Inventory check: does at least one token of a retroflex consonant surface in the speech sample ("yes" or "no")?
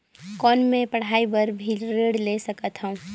yes